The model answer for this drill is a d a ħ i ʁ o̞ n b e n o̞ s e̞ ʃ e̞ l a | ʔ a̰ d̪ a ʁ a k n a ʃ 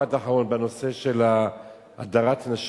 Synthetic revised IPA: a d a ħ a ʁ o̞ n b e n o̞ s e̞ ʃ e̞ l a | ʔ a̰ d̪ a ʁ a t n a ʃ